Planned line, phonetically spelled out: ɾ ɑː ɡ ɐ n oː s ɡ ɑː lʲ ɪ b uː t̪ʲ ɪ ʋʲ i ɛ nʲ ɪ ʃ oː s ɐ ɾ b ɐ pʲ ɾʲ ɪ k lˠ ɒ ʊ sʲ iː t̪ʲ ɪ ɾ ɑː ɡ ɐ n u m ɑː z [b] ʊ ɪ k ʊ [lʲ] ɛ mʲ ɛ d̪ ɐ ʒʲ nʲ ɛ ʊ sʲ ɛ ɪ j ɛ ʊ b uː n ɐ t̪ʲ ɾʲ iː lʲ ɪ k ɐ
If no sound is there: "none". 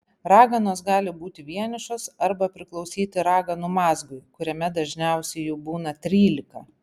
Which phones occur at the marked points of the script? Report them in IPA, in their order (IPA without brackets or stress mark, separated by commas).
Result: ɡ, ɾʲ